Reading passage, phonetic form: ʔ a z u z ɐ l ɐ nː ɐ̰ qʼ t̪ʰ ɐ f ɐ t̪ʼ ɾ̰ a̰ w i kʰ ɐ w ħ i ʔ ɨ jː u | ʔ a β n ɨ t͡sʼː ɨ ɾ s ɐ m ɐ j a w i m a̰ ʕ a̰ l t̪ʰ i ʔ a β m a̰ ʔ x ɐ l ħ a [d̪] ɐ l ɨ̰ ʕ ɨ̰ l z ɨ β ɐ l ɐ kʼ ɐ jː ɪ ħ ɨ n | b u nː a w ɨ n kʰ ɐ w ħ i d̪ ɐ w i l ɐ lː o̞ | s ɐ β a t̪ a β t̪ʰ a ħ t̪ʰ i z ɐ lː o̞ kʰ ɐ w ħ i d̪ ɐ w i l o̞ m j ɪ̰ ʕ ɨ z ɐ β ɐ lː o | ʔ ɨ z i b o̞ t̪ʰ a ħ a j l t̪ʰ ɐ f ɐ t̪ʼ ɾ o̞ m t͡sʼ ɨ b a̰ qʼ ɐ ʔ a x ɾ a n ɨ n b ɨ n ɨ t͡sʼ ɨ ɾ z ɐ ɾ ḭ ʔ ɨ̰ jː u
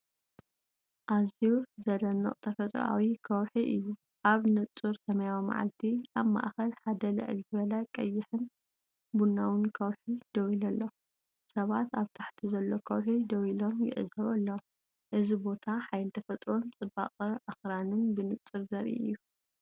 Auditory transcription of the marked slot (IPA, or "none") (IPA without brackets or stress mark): d̪